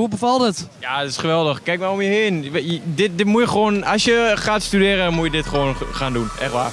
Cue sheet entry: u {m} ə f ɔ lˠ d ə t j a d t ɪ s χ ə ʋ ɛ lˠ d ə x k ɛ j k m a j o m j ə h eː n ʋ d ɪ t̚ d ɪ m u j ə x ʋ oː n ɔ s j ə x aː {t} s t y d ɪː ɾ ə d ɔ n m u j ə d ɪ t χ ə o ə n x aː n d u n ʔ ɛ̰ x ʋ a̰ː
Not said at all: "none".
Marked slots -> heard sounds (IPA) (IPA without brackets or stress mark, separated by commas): b, t